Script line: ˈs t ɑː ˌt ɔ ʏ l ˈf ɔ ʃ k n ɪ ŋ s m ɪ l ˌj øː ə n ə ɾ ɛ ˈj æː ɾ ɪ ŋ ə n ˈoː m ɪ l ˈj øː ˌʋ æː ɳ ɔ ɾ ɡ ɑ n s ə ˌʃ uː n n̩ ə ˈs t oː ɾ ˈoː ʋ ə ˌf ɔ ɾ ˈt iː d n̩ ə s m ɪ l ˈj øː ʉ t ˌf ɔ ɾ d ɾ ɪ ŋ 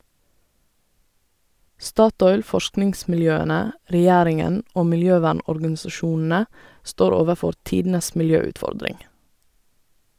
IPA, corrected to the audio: ˈs t ɑː ˌt ɔ ʏ l ˈf ɔ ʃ k n ɪ ŋ s m ɪ l ˌj øː ə n ə ɾ ɛ ˈj æː ɾ ɪ ŋ ə n ˈoː m ɪ l ˈj øː ˌʋ æː ɳ ɔ ɾ ɡ ɑ n s ɑ ˌʃ uː n n̩ ə ˈs t oː ɾ ˈoː ʋ ə ˌf ɔ ɾ ˈt iː d n̩ ə s m ɪ l ˈj øː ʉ t ˌf ɔ ɾ d ɾ ɪ ŋ